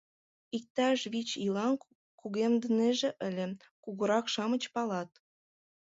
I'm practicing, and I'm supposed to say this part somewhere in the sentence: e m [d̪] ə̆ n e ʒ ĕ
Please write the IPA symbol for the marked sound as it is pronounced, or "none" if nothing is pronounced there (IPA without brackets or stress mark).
d̪